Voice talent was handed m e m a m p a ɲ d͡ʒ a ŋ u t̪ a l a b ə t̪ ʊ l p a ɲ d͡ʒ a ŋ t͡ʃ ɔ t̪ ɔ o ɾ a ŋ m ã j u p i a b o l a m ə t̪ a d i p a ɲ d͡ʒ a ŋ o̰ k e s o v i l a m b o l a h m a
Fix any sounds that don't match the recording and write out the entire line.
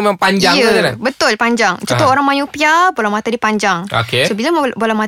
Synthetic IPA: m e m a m p a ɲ d͡ʒ a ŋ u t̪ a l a b ə t̪ ʊ l p a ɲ d͡ʒ a ŋ t͡ʃ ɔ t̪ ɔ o ɾ a ŋ m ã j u p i a b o l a m a t̪ a d i p a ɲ d͡ʒ a ŋ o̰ k e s o b i l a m b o l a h m a